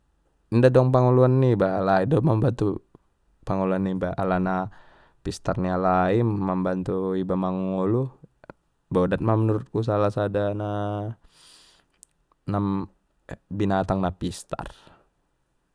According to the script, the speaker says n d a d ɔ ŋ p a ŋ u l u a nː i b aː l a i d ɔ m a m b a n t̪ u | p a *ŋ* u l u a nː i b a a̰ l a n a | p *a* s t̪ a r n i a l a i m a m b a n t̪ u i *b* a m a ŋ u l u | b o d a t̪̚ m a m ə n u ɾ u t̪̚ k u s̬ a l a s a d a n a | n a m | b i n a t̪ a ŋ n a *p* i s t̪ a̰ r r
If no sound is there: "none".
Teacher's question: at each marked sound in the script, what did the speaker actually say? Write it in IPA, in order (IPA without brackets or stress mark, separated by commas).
ŋ, i, b, p